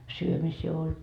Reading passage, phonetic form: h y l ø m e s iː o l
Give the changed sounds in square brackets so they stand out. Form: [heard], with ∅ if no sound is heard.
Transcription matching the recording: [s] y [∅] ø m [i] s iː o l